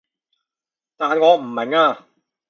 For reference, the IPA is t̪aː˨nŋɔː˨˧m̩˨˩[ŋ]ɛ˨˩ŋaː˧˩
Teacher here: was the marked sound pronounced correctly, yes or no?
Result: no